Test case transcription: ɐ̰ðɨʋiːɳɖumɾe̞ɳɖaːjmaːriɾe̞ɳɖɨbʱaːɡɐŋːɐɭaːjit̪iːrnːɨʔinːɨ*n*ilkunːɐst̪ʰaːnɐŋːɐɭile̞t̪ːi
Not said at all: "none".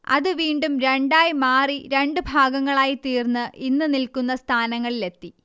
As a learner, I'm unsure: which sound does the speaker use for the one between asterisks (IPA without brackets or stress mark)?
n